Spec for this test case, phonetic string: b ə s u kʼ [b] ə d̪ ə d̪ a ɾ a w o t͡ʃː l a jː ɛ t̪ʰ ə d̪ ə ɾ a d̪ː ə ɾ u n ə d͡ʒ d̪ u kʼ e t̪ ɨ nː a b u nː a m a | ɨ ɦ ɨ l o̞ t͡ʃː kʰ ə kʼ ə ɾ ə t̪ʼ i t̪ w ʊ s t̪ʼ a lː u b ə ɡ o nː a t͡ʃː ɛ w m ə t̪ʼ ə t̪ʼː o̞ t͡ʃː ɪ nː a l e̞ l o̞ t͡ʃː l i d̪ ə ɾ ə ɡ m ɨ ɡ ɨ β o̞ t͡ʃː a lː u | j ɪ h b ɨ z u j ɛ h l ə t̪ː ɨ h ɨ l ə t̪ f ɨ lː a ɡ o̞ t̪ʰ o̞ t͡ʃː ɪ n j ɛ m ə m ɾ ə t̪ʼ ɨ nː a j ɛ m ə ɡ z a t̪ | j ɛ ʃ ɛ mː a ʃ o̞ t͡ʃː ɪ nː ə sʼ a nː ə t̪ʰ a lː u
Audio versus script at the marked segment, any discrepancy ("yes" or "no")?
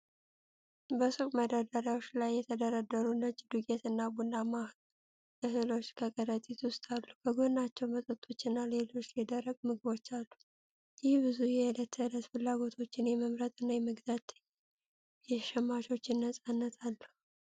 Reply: yes